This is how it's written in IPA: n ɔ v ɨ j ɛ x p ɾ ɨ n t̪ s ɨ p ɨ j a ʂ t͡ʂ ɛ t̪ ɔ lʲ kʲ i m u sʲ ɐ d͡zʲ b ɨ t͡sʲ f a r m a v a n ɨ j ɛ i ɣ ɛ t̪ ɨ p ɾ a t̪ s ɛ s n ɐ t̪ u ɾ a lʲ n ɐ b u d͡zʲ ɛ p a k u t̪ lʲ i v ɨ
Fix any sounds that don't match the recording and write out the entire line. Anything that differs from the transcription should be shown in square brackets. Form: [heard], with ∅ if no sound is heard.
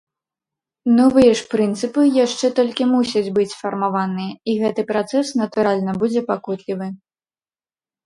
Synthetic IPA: n ɔ v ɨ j ɛ [ʂ] p ɾ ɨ n t̪ s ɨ p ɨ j a ʂ t͡ʂ ɛ t̪ ɔ lʲ kʲ i m u sʲ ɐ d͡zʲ b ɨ t͡sʲ f [ɐ] r m a v a n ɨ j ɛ i ɣ ɛ t̪ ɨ p ɾ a t̪ s ɛ s n ɐ t̪ u ɾ a lʲ n ɐ b u d͡zʲ ɛ p a k u t̪ lʲ i v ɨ

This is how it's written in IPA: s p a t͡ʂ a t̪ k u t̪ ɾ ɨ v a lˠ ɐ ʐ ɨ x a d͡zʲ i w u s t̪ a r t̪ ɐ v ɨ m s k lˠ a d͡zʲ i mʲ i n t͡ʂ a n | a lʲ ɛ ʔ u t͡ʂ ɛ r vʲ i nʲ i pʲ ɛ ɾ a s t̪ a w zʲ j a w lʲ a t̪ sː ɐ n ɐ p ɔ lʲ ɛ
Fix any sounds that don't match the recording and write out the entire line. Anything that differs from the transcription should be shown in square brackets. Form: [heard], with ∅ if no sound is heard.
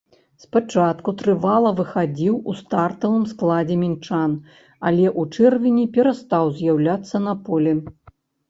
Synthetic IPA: s p a t͡ʂ a t̪ k u t̪ ɾ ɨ v a lˠ ɐ [v] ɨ x a d͡zʲ i w u s t̪ a r t̪ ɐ v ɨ m s k lˠ a d͡zʲ [ɛ] mʲ i n t͡ʂ a n | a lʲ ɛ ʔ u t͡ʂ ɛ r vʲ i nʲ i pʲ ɛ ɾ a s t̪ a w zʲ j a w lʲ a t̪ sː ɐ n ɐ p ɔ lʲ ɛ

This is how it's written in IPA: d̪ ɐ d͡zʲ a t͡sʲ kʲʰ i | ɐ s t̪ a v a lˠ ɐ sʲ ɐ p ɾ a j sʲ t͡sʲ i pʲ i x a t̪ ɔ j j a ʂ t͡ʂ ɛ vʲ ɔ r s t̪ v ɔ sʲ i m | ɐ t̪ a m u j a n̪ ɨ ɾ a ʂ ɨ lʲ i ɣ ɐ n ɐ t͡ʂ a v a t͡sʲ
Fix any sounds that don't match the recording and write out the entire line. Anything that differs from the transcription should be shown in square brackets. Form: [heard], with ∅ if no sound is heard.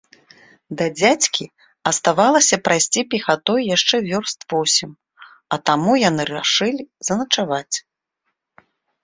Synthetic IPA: d̪ ɐ d͡zʲ a t͡sʲ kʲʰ i | ɐ s t̪ a v a lˠ ɐ sʲ ɐ p ɾ a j sʲ t͡sʲ i pʲ i x a t̪ ɔ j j a ʂ t͡ʂ ɛ vʲ ɔ r s t̪ v ɔ sʲ i m | ɐ t̪ a m u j a n̪ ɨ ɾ a ʂ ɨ lʲ i [z] ɐ n ɐ t͡ʂ a v a t͡sʲ

